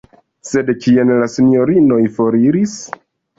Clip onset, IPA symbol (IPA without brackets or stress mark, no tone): s